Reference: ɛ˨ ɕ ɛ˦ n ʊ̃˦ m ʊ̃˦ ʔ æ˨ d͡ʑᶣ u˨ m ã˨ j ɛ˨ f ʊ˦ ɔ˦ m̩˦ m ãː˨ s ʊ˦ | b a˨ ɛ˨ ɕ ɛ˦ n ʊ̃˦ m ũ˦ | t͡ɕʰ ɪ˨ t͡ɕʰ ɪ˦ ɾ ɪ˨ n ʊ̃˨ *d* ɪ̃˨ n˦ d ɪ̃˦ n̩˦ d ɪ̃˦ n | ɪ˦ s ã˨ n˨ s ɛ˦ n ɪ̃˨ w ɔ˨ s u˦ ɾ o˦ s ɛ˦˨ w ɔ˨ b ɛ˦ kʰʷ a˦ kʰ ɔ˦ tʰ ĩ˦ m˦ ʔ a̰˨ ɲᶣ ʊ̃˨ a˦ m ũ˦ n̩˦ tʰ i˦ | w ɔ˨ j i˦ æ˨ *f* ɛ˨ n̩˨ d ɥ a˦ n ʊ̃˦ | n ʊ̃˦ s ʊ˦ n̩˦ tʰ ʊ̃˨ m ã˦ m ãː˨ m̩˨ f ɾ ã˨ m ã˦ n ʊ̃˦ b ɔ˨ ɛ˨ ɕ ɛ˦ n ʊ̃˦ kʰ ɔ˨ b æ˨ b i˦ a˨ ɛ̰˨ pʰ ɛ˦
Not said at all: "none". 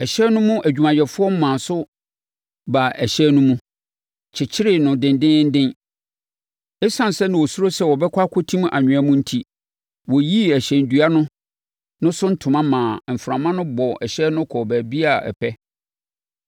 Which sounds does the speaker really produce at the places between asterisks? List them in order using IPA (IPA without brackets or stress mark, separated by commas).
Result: d, ɕ